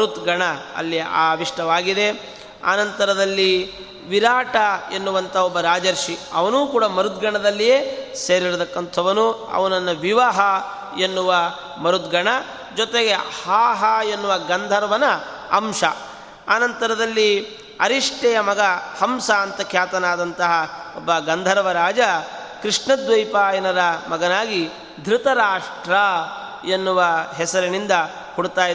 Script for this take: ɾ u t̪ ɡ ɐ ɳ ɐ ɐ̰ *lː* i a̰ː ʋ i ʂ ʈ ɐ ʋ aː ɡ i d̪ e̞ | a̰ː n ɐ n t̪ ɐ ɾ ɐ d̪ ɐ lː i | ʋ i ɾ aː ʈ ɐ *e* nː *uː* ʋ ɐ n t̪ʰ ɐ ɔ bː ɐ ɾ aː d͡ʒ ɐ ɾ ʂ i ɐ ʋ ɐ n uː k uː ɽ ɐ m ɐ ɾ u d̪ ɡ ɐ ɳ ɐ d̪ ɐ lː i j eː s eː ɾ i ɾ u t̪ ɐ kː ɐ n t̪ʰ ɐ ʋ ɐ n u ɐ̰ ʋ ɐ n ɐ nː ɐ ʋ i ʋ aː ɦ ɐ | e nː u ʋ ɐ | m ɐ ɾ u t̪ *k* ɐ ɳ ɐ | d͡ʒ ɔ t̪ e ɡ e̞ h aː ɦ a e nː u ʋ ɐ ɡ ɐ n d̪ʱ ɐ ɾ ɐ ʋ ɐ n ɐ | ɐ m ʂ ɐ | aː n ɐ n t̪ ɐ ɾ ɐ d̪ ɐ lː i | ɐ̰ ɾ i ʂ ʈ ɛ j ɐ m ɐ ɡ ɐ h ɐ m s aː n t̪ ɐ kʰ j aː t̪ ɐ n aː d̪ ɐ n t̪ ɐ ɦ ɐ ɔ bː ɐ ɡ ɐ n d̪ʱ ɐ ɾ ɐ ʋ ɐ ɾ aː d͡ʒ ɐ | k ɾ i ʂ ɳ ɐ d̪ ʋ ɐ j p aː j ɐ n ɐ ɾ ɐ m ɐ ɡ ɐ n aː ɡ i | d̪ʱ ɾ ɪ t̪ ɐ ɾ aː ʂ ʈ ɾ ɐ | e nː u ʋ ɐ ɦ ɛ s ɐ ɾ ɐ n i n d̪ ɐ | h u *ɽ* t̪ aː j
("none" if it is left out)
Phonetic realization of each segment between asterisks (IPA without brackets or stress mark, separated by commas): lː, e, u, ɡ, ɽ